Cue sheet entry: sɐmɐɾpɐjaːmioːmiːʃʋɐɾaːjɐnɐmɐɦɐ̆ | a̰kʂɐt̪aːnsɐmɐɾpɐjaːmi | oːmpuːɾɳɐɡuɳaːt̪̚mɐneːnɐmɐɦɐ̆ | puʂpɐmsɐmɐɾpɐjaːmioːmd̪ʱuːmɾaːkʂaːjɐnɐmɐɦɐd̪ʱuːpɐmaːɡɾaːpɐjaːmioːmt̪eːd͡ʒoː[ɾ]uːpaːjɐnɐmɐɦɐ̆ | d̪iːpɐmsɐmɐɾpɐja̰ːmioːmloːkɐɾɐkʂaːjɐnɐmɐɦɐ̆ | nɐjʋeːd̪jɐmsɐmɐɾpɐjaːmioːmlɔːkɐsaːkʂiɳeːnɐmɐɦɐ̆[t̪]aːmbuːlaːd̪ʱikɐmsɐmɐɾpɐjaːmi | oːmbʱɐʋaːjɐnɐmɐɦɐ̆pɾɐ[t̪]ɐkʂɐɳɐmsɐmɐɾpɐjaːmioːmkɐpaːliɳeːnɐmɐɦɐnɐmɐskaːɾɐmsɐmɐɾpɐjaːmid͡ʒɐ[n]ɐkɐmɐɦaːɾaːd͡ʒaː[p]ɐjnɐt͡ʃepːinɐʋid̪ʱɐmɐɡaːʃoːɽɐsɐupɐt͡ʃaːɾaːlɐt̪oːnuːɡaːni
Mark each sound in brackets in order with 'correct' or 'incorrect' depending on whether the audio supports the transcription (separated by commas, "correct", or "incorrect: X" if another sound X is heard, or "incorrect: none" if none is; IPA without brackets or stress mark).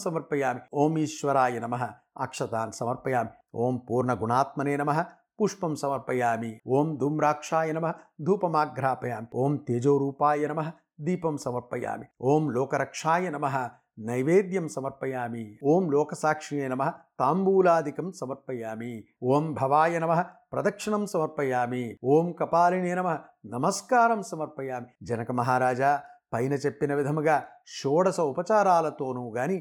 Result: correct, correct, incorrect: d̪, correct, correct